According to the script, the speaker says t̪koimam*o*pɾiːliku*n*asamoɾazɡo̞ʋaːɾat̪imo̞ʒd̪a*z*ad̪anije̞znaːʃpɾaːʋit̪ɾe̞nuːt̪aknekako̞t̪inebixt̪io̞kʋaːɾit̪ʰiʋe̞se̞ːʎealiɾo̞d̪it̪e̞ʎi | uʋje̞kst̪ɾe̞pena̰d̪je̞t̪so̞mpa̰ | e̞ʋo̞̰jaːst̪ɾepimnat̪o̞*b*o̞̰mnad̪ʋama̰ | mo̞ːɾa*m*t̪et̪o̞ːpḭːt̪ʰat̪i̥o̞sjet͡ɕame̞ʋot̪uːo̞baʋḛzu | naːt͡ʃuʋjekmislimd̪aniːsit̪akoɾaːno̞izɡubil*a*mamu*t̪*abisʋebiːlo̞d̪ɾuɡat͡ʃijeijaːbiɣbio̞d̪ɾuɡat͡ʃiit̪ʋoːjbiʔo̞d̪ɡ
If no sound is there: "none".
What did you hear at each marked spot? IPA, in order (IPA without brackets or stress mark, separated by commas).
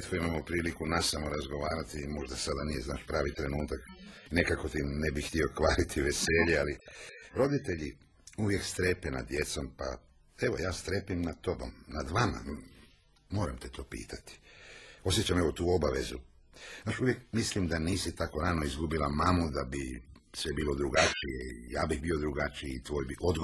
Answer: o, n, s, b, m, a, d̪